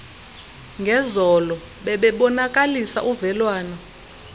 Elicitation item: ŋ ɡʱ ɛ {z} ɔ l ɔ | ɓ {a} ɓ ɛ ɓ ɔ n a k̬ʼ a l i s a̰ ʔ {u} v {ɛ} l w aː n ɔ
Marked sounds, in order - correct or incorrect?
correct, incorrect: ɛ, correct, correct

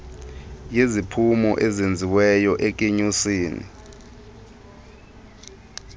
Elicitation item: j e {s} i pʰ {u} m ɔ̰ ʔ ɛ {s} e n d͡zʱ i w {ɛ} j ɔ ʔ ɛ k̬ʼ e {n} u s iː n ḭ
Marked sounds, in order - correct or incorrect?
incorrect: z, correct, incorrect: z, correct, incorrect: ɲ

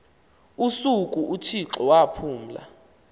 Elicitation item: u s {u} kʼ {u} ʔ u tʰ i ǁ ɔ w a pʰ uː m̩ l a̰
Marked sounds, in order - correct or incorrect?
correct, correct

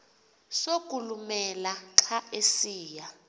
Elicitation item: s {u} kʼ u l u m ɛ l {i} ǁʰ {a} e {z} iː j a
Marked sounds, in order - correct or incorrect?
incorrect: o, incorrect: a, correct, incorrect: s

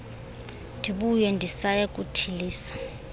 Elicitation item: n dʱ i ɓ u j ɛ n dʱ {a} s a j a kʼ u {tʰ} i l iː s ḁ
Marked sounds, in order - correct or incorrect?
incorrect: i, correct

